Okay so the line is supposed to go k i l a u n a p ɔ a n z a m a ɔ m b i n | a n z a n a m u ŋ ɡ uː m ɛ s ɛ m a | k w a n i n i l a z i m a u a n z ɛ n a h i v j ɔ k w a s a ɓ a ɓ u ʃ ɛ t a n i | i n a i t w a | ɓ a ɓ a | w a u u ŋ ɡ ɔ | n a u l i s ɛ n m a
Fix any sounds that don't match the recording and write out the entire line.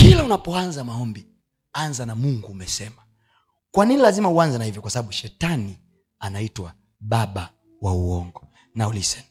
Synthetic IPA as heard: k i l a u n a p ɔ a n z a m a ɔ m b i | a n z a n a m u ŋ ɡ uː m ɛ s ɛ m a | k w a n i n i l a z i m a u a n z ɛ n a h i v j ɔ k w a s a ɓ a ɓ u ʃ ɛ t a n i | a n a i t w a | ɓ a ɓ a | w a u ɔ ŋ ɡ ɔ | n a u l i s ɛ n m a